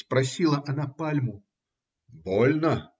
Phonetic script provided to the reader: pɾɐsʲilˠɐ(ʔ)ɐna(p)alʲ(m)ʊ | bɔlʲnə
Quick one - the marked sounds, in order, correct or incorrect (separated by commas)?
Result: correct, correct, correct